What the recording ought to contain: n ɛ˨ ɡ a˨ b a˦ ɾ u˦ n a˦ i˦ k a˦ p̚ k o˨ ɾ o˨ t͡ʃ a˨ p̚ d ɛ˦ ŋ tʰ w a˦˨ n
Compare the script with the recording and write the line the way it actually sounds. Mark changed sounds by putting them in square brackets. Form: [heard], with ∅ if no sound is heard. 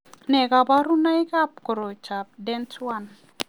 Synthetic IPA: n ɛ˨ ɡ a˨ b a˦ ɾ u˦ n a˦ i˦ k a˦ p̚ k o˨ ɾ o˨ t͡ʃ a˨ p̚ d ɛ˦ [n] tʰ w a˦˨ n